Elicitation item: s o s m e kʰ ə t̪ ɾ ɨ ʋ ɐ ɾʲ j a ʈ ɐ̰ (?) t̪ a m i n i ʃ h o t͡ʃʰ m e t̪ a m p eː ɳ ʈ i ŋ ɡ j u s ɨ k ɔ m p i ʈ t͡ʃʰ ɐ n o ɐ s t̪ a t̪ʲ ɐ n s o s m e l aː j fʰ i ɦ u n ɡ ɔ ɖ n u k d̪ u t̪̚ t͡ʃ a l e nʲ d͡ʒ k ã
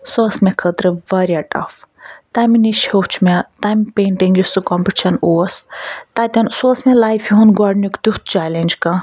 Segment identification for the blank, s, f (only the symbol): f